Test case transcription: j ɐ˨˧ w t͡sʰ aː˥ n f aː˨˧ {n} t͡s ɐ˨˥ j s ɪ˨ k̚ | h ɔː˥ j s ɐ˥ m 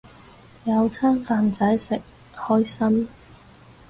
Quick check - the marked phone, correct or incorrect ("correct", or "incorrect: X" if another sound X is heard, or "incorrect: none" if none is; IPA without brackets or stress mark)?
correct